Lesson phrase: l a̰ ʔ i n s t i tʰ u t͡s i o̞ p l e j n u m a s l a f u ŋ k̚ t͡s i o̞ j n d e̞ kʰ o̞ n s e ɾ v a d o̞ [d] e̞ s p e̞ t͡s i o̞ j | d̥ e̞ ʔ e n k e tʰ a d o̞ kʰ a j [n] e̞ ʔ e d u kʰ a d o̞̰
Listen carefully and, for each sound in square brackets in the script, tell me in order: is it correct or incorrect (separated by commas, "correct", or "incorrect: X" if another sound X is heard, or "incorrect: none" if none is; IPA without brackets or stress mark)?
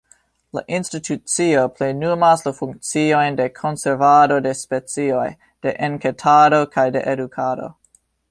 correct, incorrect: d